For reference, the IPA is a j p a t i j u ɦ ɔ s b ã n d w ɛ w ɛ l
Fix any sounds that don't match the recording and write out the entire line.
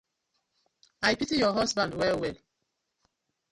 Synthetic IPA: a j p i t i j ɔ ɦ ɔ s b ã n d w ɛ w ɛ l